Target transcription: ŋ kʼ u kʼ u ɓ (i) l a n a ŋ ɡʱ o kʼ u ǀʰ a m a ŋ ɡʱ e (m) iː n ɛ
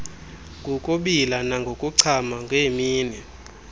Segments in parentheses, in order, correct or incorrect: correct, correct

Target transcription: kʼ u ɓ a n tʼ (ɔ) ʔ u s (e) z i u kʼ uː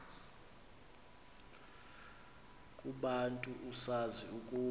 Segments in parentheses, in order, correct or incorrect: incorrect: u, incorrect: a

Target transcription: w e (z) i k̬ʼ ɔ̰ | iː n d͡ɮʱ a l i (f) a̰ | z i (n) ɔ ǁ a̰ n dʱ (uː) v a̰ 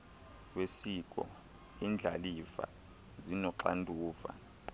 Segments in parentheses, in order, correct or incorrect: incorrect: s, correct, correct, correct

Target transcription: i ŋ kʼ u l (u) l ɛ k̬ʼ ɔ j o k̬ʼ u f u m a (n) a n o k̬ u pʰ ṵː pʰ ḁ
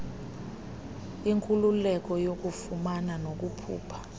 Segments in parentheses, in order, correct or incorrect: correct, correct

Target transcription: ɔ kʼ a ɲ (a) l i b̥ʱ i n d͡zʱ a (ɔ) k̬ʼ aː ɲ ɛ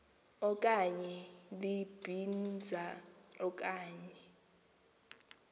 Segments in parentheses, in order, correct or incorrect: incorrect: ɛ, correct

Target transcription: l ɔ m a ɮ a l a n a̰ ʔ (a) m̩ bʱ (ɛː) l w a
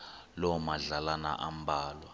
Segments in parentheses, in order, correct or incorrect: correct, incorrect: aː

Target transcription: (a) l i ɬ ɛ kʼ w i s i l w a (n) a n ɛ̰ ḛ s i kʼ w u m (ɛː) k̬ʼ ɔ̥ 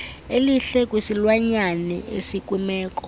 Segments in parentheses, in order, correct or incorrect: incorrect: e, incorrect: ɲ, correct

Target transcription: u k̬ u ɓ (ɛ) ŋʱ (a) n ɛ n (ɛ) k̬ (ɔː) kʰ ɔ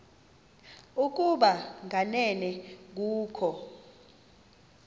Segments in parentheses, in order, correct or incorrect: incorrect: a, correct, correct, incorrect: uː

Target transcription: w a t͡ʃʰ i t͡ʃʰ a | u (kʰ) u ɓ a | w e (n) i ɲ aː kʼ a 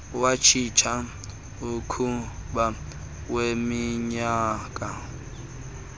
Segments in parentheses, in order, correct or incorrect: correct, incorrect: m

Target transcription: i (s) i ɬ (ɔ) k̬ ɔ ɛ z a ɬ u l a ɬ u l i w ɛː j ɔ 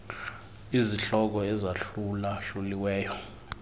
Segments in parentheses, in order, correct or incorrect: incorrect: z, correct

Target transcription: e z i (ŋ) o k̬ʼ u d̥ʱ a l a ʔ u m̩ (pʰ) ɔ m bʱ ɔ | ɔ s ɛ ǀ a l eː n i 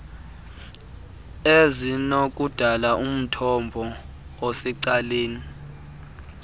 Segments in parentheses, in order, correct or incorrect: incorrect: n, incorrect: tʰ

